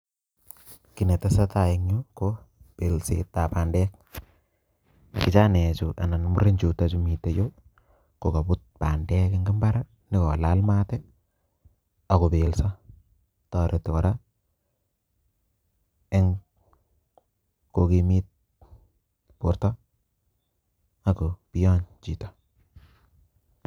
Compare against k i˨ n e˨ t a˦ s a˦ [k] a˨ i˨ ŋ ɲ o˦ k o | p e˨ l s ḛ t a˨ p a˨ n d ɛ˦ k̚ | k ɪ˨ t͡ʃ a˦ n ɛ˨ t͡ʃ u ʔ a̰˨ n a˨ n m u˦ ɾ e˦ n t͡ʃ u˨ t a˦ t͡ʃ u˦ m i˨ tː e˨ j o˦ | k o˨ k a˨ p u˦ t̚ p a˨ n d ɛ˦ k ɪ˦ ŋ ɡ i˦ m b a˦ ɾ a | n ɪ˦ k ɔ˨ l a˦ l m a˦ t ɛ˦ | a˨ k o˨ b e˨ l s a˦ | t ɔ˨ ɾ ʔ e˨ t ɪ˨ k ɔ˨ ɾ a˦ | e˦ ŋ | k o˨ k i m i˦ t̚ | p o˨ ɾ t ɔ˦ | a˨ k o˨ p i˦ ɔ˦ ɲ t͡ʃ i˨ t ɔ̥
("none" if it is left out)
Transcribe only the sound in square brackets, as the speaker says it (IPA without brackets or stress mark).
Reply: t